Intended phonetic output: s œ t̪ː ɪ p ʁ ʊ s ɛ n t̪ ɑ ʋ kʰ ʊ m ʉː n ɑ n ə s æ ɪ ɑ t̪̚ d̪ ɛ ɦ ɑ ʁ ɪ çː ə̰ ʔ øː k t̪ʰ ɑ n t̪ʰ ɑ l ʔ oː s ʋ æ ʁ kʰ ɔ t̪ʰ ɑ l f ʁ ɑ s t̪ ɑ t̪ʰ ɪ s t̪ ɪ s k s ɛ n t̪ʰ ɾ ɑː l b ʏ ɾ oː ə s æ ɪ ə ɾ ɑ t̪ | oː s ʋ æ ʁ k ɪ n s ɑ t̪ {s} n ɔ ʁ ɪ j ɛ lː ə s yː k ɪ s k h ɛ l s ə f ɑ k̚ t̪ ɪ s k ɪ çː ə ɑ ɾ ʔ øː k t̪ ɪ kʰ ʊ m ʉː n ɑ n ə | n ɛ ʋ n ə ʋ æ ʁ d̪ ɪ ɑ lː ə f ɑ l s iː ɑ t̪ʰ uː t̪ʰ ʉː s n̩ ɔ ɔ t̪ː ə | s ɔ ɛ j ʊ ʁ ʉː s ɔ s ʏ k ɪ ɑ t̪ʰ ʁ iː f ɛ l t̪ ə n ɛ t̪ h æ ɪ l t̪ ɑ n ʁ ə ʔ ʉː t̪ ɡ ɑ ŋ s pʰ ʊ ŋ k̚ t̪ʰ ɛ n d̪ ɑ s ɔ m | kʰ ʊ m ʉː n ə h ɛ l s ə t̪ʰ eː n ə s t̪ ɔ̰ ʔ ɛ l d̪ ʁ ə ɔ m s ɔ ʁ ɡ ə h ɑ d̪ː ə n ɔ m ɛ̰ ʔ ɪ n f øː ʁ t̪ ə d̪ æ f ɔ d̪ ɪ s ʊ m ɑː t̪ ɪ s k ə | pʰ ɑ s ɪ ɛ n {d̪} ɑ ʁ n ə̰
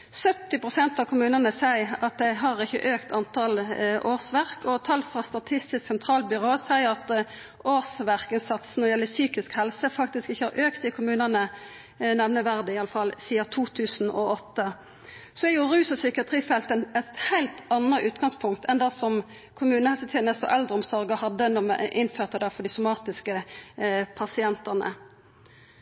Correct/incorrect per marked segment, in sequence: correct, incorrect: t̪

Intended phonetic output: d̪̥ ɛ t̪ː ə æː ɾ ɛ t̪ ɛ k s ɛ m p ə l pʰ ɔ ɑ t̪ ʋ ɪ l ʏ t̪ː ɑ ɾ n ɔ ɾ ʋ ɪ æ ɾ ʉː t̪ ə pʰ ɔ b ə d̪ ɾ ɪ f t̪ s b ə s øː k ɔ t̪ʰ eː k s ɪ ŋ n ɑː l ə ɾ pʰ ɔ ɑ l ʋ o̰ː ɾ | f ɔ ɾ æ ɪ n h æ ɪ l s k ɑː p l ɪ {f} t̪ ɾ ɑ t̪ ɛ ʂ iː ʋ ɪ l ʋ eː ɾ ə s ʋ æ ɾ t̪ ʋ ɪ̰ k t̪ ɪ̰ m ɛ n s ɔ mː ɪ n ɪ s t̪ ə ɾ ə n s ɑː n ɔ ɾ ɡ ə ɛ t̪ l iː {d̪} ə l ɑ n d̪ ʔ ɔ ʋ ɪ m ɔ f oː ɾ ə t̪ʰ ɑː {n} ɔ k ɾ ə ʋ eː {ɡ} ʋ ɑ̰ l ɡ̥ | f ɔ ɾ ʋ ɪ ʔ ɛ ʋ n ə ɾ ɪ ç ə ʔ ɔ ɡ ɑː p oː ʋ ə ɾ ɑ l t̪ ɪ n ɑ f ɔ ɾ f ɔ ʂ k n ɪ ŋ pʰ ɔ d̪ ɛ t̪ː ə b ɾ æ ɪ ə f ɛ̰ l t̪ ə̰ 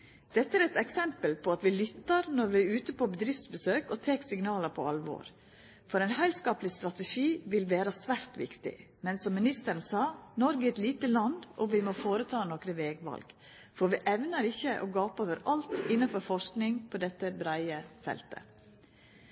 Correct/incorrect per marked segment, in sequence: incorrect: s, incorrect: t̪, correct, correct

